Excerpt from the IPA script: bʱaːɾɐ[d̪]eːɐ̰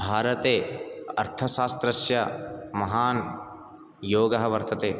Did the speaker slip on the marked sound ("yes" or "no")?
yes